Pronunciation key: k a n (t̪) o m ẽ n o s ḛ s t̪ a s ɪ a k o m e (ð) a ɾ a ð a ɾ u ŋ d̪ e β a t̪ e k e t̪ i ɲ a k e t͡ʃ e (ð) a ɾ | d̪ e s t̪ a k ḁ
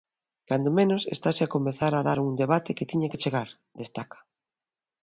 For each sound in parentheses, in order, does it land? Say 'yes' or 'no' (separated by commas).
no, no, no